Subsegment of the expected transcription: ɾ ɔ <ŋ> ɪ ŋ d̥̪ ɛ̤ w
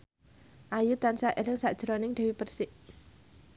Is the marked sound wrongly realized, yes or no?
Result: yes